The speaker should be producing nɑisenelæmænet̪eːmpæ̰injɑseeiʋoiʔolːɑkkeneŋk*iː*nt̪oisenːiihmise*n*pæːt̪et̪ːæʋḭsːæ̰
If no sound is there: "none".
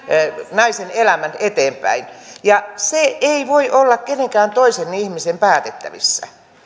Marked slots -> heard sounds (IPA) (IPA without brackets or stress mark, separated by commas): æː, m